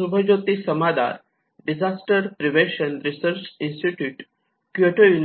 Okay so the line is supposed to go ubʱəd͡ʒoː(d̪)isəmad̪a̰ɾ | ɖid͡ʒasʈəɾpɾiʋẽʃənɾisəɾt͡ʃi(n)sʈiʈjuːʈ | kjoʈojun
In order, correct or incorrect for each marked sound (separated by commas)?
incorrect, correct